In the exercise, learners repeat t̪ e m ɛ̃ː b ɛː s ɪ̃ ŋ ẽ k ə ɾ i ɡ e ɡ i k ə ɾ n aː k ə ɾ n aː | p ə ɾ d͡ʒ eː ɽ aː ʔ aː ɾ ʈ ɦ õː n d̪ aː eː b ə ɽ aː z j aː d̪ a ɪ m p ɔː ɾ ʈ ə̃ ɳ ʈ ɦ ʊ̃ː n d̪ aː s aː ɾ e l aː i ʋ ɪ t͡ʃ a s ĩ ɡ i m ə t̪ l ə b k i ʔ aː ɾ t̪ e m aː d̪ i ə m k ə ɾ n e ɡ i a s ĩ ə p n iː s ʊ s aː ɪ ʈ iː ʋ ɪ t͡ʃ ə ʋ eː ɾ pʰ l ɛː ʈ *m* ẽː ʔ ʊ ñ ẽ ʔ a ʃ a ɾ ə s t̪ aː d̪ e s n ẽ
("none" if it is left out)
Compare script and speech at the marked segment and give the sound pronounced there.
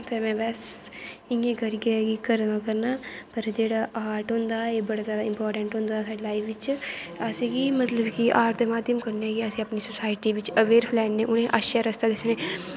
n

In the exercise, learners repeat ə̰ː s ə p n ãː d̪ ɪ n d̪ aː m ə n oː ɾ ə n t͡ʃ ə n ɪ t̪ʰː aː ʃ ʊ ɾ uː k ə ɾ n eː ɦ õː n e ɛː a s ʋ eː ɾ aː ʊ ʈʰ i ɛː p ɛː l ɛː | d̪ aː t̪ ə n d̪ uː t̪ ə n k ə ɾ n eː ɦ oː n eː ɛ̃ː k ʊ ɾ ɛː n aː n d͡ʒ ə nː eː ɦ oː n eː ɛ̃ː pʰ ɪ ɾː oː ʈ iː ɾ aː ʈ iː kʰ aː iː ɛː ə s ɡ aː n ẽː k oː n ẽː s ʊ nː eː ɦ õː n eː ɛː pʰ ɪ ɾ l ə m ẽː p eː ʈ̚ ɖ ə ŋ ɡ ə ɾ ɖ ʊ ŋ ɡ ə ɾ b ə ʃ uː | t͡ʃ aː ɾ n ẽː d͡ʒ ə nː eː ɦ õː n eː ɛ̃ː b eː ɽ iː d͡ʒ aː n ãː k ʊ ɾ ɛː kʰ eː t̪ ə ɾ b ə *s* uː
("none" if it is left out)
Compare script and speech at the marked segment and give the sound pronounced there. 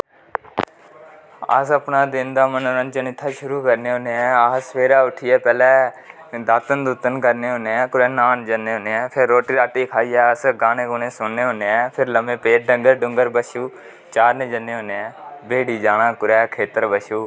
ʃ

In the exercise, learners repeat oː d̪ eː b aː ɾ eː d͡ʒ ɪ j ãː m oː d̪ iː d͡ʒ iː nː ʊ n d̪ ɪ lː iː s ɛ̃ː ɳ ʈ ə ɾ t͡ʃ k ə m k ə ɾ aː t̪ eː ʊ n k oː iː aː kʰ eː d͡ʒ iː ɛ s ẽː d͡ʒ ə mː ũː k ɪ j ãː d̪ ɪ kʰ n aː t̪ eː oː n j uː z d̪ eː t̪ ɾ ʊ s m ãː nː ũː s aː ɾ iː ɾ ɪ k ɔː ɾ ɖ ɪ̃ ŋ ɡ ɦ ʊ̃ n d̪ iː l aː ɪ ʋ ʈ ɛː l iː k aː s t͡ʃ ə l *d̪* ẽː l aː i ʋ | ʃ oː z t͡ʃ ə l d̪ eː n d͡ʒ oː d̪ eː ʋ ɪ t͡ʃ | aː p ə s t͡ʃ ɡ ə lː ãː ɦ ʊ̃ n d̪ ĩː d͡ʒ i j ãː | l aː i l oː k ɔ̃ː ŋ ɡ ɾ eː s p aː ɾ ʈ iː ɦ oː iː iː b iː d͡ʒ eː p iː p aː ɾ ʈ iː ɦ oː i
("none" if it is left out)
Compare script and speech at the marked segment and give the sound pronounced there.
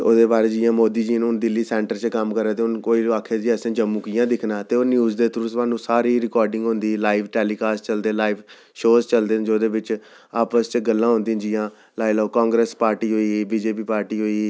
d̪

